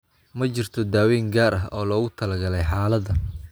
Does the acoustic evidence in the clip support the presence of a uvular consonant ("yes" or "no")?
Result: no